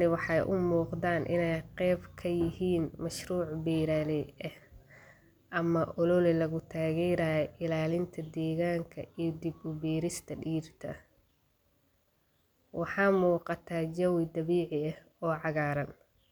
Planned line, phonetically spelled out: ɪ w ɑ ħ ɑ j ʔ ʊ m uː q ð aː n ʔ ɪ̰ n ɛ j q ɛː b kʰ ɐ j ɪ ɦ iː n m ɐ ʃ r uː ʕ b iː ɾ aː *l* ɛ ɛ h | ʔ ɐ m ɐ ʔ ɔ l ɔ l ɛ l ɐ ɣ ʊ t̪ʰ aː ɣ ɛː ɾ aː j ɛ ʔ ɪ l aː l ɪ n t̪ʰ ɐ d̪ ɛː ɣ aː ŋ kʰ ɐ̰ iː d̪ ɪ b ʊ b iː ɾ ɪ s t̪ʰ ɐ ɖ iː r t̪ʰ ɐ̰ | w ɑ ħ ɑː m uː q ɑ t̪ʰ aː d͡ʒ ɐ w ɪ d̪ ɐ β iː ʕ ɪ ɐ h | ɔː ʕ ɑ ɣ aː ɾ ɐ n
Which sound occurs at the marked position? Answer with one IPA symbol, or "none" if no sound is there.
l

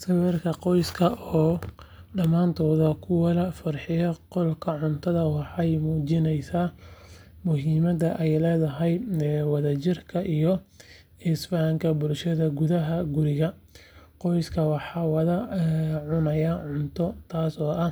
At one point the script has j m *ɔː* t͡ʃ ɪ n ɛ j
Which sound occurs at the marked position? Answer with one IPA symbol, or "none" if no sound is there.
uː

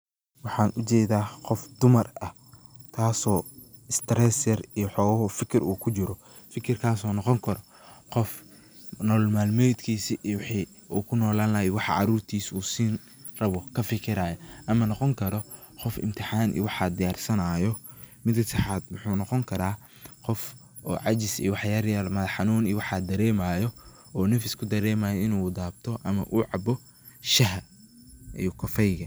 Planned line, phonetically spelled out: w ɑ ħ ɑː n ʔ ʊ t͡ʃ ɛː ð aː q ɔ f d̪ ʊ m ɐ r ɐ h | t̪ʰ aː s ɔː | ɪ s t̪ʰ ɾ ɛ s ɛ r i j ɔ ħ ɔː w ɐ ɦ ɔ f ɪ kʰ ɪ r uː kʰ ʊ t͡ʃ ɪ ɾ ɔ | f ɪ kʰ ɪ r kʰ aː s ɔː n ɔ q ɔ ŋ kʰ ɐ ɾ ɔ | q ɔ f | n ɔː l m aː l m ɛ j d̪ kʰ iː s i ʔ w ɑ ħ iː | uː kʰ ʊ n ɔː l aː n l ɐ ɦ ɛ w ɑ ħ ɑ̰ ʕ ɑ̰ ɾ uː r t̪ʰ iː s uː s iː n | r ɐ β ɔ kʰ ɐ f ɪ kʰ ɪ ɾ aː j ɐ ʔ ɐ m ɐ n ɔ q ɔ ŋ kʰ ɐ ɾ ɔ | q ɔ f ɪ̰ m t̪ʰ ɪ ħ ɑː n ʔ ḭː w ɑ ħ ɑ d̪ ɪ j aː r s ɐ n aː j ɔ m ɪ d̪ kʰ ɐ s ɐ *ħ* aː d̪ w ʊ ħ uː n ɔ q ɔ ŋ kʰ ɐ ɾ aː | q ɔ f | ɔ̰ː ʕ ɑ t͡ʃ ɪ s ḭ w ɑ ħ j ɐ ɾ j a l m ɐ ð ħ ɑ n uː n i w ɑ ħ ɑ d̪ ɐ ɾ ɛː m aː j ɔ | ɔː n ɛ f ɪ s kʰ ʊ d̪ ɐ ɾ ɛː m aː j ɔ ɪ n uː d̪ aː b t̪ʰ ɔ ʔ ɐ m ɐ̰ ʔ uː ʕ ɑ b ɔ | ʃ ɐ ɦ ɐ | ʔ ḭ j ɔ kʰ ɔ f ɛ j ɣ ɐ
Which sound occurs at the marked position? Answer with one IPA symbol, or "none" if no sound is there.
ħ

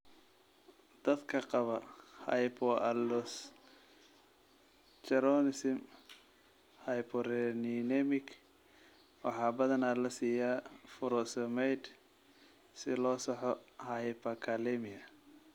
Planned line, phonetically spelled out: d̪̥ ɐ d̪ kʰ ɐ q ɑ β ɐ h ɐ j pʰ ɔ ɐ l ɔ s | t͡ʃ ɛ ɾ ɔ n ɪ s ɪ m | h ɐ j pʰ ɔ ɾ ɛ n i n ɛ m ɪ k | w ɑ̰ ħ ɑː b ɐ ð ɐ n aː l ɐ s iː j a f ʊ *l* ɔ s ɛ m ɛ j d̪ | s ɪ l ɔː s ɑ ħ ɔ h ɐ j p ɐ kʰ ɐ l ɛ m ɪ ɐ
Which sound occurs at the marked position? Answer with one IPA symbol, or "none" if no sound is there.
ɾ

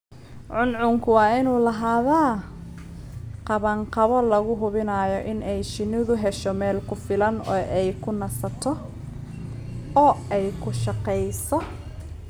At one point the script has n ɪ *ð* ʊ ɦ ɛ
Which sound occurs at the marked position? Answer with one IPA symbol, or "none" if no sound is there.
ð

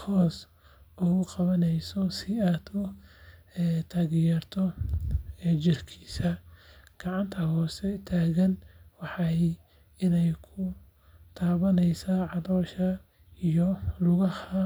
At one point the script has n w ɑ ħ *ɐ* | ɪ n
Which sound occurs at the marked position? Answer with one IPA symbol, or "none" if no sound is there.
ɑ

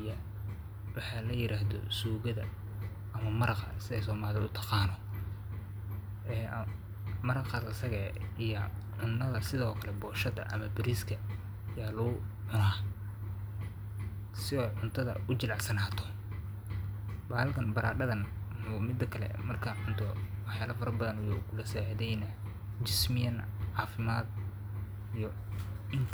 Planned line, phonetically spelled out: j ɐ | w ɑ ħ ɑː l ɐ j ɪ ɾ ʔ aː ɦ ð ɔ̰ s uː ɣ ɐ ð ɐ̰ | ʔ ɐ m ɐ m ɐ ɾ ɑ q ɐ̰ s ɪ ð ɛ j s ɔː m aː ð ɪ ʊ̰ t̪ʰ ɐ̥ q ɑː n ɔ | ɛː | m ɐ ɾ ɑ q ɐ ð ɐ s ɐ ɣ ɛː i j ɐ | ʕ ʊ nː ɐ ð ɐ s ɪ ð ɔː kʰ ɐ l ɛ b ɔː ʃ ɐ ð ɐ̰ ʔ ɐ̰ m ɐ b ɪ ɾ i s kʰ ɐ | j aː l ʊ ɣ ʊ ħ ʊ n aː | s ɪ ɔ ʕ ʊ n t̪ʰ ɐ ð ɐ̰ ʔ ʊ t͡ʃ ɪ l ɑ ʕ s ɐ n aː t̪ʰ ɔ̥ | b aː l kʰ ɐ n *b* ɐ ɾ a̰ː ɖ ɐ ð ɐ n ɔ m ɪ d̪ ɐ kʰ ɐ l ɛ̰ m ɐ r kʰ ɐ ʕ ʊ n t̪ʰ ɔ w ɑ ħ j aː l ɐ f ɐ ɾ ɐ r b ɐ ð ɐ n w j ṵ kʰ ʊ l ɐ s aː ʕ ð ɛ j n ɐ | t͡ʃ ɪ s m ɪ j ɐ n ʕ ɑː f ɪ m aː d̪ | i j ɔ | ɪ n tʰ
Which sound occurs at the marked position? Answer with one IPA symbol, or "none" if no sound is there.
b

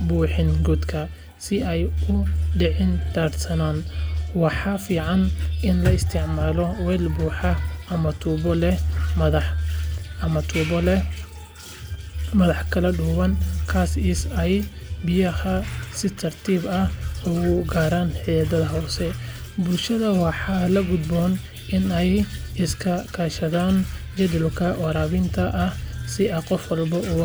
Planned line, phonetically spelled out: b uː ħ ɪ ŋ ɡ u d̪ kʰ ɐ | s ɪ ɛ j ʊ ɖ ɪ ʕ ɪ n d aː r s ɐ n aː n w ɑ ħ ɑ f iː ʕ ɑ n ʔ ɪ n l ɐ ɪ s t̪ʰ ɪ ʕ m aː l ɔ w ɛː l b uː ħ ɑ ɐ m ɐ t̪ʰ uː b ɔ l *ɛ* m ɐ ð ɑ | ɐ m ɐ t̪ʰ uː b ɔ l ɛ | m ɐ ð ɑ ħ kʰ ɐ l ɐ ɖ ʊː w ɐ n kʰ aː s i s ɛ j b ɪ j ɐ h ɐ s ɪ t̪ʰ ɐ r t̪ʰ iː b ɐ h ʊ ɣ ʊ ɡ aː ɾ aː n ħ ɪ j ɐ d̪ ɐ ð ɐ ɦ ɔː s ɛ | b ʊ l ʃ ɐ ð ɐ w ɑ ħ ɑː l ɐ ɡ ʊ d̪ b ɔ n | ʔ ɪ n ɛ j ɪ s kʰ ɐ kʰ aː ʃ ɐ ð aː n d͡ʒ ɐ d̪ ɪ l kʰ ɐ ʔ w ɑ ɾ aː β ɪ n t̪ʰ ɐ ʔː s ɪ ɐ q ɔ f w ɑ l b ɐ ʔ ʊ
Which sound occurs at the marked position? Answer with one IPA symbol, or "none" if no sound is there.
ɛ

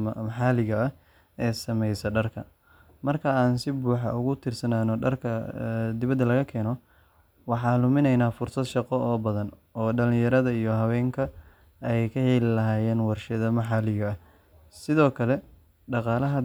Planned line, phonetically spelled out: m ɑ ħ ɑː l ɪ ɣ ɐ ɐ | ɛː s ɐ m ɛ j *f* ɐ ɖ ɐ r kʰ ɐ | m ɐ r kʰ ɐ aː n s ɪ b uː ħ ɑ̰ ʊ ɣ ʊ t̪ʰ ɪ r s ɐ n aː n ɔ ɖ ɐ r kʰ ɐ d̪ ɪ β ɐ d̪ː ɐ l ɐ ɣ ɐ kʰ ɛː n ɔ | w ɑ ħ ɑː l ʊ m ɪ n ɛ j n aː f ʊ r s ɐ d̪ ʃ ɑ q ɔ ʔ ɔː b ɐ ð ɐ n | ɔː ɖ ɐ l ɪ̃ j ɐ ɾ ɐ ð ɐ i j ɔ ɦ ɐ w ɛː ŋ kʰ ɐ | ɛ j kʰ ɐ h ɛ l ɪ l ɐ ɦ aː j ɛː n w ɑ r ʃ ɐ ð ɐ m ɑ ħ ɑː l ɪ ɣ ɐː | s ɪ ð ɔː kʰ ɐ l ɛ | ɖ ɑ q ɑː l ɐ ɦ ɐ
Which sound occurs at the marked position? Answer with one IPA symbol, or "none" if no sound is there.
s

